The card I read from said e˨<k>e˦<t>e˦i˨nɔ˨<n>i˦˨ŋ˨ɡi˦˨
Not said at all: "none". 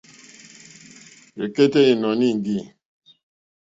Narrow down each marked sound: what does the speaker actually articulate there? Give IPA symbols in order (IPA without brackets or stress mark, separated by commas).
k, t, n